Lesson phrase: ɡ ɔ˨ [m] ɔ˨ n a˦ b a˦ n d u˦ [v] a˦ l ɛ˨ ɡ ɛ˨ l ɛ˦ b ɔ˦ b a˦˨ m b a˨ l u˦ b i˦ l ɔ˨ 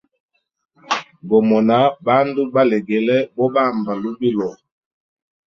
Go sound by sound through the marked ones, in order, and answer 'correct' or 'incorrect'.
correct, incorrect

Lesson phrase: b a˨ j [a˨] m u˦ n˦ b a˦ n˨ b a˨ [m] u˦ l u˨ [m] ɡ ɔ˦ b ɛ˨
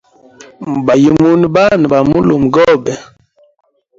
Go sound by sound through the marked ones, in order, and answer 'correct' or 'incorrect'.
incorrect, correct, correct

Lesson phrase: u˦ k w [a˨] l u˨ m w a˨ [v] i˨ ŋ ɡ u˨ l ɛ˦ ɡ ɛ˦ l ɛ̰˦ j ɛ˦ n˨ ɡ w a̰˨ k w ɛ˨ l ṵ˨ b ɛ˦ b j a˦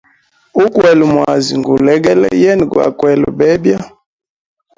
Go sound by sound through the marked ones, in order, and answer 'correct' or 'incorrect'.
incorrect, incorrect

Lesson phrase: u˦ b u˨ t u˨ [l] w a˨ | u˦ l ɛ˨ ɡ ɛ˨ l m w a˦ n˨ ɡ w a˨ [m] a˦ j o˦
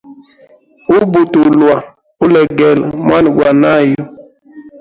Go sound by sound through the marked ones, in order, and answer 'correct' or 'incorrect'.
correct, incorrect

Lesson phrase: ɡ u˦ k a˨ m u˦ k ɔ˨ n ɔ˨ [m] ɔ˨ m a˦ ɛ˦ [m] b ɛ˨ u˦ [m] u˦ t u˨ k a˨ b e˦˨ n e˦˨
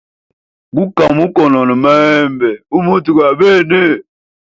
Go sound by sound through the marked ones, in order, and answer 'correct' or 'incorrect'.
incorrect, correct, correct

